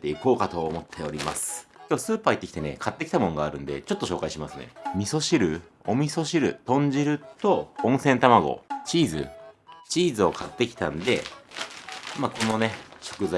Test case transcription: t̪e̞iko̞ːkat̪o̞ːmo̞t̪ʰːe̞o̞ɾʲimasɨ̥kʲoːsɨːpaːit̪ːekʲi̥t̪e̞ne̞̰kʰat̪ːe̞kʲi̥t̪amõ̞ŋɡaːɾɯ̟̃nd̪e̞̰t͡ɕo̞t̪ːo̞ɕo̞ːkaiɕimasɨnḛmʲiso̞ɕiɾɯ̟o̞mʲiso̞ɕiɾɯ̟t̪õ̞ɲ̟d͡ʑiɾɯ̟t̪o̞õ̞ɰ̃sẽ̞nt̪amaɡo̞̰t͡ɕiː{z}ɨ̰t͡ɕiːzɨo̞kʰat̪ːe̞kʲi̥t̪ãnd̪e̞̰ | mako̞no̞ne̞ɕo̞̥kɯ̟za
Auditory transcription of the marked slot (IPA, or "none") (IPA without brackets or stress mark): z